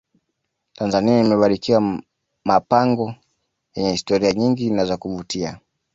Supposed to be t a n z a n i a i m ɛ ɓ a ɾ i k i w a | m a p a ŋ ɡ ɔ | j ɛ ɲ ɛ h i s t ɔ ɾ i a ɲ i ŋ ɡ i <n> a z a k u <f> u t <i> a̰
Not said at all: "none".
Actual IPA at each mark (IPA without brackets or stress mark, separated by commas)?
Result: n, v, i